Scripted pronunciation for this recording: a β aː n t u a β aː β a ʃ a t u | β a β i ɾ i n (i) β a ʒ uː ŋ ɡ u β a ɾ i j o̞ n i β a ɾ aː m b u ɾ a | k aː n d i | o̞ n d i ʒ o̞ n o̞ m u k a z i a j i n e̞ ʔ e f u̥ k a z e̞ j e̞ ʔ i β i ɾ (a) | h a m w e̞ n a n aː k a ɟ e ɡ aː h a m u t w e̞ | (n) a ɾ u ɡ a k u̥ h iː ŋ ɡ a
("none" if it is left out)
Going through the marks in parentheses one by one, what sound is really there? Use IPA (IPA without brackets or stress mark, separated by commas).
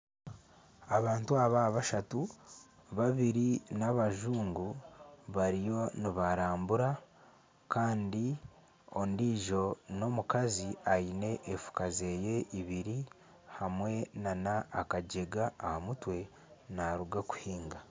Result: a, i, n